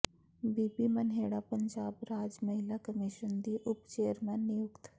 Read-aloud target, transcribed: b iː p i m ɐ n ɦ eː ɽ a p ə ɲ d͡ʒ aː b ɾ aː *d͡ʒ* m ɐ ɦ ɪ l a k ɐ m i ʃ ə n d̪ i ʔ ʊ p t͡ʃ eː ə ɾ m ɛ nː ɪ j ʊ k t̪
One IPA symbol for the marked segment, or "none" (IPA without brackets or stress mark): d͡ʒ